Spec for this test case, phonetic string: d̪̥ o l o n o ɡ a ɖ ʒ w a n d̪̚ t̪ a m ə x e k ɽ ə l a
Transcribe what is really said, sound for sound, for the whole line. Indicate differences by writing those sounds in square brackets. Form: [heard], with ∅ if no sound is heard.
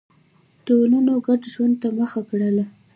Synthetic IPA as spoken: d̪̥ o l [u] n o ɡ a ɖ ʒ w a n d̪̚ t̪ a m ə x [a] k ɽ ə l a